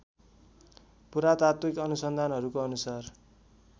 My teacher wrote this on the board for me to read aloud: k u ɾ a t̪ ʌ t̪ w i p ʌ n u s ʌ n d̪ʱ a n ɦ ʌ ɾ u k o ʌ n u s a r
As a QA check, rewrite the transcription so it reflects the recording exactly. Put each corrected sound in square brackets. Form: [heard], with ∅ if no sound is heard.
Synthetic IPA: [p] u ɾ a t̪ [a] t̪ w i [k] ʌ n u s ʌ n d̪ʱ a n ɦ ʌ ɾ u k o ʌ n u s a r